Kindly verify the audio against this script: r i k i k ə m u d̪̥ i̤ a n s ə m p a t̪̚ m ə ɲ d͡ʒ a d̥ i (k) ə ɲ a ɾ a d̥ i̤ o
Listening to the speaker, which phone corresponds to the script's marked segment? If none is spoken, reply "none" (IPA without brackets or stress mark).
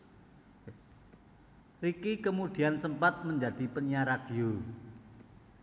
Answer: p